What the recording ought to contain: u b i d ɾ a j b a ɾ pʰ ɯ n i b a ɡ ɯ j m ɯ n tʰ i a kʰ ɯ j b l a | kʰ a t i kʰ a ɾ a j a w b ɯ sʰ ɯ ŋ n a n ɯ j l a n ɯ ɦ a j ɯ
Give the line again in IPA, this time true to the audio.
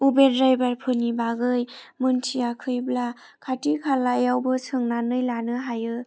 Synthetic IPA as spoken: u b e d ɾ a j b a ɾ pʰ ɯ n i b a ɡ ɯ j m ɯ n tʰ i a kʰ ɯ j b l a | kʰ a t i kʰ a l a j a w b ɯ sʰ ɯ ŋ n a n ɯ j l a n ɯ ɦ a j ɯ